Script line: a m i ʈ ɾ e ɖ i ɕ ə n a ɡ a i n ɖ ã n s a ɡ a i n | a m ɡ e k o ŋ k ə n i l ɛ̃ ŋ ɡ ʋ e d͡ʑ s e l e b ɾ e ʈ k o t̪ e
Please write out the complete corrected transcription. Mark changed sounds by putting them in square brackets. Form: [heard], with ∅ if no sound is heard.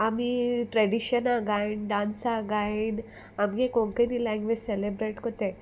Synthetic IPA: a m i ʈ ɾ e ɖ i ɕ ə n a ɡ a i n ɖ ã n s a ɡ a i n | a m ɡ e k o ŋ k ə n i l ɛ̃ ŋ ɡ ʋ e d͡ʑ s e l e b ɾ e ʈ k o t̪ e